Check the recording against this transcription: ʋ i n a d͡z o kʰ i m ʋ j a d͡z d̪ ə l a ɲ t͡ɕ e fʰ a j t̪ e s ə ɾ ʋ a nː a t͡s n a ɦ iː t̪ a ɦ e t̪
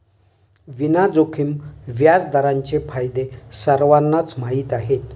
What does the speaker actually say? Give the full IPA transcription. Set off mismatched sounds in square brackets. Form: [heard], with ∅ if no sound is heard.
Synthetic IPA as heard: ʋ i n a d͡z o kʰ i m ʋ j a d͡z d̪ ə [ɾ] a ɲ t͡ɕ e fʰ a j [d̪] e s ə ɾ ʋ a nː a t͡s [m] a ɦ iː t̪ a ɦ e t̪